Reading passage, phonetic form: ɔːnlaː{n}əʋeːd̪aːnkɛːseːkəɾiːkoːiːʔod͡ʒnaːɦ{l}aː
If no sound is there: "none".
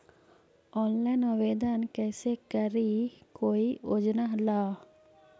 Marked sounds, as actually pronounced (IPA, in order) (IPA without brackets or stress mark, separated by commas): n, l